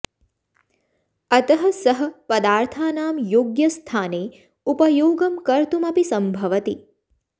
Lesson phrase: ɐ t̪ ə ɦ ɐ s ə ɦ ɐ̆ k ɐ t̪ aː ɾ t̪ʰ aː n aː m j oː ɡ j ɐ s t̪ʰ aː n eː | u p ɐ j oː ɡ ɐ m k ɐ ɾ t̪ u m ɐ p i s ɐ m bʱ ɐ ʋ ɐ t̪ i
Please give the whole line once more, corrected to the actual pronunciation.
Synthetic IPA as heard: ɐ t̪ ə ɦ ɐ s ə ɦ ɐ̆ p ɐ d̪ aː ɾ t̪ʰ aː n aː m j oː ɡ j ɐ s t̪ʰ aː n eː | u p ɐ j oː ɡ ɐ m k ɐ ɾ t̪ u m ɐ p i s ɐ m bʱ ɐ ʋ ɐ t̪ i